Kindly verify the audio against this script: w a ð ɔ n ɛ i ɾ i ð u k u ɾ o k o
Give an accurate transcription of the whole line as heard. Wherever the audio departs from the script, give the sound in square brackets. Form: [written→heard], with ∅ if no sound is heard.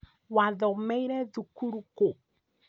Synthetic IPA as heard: w a ð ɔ [n→m] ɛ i ɾ [i→ɛ] ð u k u ɾ [o→u] k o